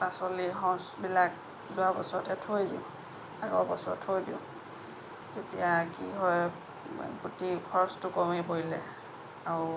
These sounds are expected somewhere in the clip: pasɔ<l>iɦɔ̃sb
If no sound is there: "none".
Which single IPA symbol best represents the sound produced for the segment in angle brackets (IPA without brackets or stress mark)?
l